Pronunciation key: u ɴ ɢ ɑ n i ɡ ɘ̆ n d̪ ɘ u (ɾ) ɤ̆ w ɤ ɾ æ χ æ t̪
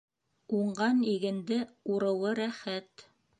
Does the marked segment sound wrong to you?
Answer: no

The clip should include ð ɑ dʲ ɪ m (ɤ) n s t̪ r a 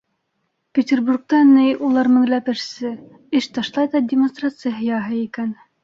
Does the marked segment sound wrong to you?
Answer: yes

